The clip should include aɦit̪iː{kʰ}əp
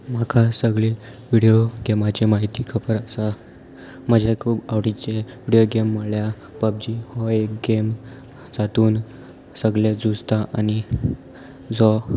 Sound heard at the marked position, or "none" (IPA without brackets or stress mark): kʰ